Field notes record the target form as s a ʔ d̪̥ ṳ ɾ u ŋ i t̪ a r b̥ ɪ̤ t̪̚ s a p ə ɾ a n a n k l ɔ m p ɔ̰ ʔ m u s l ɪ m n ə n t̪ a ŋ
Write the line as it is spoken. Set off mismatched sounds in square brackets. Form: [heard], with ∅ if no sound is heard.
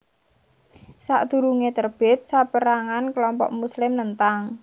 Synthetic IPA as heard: s a ʔ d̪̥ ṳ ɾ u ŋ [e] t̪ [ə] r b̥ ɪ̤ t̪̚ s a p ə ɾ a [ŋ] a n k l ɔ m p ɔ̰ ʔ m u s l ɪ m n ə n t̪ a ŋ